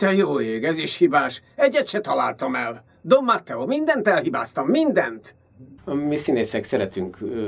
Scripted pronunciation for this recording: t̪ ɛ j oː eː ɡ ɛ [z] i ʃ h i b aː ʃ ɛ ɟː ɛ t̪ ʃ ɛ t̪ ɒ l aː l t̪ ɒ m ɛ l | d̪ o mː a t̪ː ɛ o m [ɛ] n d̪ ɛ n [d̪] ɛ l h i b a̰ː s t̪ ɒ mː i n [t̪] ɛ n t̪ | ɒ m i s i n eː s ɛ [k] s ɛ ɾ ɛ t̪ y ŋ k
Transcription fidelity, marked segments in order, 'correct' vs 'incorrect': correct, incorrect: i, incorrect: t̪, incorrect: d̪, correct

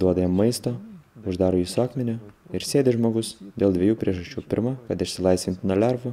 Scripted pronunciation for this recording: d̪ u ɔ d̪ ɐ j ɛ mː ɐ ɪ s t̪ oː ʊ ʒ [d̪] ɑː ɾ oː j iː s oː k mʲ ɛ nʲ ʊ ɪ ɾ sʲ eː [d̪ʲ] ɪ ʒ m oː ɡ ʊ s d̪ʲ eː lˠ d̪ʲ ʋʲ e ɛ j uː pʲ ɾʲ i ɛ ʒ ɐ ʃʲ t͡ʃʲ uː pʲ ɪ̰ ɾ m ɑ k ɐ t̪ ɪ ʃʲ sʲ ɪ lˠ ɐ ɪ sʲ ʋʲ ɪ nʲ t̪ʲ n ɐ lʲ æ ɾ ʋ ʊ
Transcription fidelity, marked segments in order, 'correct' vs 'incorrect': correct, correct

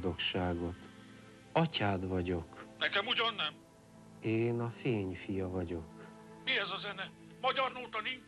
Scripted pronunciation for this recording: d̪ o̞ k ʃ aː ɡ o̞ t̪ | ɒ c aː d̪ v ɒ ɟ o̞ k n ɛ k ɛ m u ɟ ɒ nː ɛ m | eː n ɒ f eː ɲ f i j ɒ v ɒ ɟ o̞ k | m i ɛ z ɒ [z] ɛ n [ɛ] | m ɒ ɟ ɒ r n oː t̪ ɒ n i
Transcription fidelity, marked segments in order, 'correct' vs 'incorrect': correct, correct

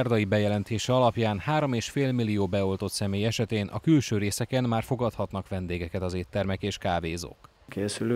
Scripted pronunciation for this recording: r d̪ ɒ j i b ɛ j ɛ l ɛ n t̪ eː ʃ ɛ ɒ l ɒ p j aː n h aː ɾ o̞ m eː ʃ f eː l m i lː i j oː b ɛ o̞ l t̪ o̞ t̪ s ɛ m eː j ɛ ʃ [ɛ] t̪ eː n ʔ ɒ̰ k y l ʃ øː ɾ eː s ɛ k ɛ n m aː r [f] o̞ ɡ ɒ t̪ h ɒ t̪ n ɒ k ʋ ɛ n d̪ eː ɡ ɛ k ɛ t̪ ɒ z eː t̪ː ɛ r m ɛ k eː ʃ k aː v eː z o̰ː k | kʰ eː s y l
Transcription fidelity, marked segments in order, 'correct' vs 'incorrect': correct, correct

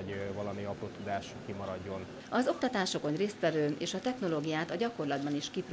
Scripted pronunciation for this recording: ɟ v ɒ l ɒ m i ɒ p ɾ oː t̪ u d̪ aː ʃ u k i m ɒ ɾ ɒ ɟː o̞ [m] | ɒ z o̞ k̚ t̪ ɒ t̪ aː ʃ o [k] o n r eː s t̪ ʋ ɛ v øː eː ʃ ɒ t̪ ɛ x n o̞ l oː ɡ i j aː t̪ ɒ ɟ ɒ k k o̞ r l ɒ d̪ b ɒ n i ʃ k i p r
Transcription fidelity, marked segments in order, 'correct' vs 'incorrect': incorrect: n, correct

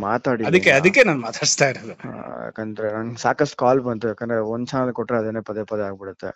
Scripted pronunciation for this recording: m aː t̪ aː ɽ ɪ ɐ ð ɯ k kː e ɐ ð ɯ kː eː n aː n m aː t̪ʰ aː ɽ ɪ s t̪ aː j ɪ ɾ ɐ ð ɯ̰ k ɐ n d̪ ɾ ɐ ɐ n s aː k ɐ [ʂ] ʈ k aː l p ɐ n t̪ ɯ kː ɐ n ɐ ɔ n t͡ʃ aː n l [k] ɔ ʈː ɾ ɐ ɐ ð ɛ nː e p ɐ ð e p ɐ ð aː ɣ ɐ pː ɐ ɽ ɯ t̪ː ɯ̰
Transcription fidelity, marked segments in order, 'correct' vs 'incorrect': incorrect: s, correct

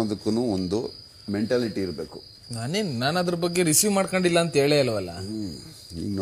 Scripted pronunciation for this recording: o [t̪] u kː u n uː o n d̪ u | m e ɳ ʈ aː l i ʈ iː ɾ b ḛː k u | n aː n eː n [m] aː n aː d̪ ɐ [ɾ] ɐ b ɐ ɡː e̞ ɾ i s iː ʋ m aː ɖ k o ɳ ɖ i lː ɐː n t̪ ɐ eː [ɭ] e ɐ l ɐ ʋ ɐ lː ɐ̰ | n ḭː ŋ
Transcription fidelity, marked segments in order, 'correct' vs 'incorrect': incorrect: d̪, incorrect: n, correct, correct

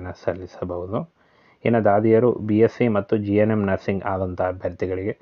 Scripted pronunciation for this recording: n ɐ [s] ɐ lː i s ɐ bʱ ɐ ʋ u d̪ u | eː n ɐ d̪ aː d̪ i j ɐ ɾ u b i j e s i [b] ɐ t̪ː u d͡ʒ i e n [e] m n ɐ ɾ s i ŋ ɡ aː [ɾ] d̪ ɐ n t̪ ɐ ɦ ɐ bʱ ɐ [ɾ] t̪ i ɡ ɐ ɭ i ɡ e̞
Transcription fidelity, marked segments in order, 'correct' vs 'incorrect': correct, incorrect: m, correct, incorrect: none, correct

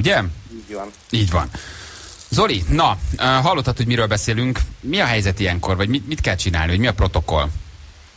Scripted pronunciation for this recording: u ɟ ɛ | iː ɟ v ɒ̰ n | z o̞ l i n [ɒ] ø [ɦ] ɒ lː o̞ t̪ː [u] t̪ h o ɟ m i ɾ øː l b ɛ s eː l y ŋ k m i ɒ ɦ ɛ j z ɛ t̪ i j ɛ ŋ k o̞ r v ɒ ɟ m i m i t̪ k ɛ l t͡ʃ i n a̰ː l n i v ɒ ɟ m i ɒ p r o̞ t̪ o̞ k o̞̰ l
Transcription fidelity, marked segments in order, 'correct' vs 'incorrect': correct, correct, incorrect: ɒ

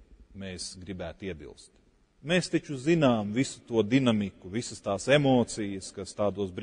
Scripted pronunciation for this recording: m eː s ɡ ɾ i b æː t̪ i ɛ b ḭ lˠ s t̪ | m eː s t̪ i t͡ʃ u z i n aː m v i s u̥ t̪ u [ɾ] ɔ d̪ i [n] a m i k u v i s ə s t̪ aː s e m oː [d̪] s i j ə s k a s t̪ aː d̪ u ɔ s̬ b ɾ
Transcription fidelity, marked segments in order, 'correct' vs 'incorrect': incorrect: none, correct, incorrect: t̪

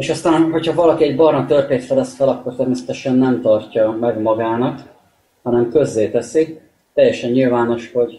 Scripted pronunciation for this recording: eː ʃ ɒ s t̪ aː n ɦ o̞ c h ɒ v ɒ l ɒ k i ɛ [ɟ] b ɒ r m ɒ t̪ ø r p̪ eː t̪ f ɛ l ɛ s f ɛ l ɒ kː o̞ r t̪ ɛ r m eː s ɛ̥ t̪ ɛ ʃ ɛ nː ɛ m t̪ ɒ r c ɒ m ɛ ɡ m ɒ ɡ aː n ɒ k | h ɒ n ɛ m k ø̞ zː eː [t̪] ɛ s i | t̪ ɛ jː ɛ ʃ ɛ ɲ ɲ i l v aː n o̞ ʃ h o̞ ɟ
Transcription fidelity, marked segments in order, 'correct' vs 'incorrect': correct, correct

